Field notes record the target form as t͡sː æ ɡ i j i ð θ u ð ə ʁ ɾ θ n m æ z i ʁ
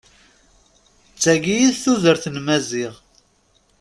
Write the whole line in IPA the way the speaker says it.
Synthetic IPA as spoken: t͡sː æ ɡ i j i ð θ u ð ə ɾ θ n m æ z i ʁ